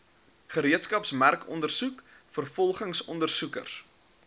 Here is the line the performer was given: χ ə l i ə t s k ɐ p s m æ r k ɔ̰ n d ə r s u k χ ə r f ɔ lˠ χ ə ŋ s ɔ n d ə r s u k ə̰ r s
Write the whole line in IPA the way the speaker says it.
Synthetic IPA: χ ə ɾ i ə t s k ɐ p s m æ r k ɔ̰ n d ə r s u k f ə r f ɔ lˠ χ ə ŋ s ɔ n d ə r s u k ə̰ r s

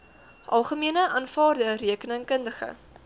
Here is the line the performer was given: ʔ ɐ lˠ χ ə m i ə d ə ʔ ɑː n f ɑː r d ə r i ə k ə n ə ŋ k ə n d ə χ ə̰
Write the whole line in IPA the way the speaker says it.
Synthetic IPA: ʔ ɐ lˠ χ ə m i ə n ə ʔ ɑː n f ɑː r d ə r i ə k ə n ə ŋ k ə n d ə χ ə̰

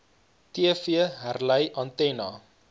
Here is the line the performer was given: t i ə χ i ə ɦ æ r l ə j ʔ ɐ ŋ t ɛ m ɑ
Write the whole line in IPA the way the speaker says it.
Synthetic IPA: t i ə f i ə ɦ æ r l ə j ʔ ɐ n t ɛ n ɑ

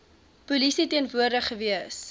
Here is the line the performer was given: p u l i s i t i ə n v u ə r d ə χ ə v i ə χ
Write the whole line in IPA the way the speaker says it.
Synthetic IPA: p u l i s i t i ə n v u ə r d ə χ ə v i ə s

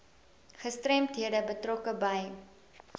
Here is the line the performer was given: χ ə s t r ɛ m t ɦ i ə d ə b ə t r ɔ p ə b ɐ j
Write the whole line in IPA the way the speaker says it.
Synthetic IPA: χ ə s t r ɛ m t ɦ i ə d ə b ə t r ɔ k ə b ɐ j

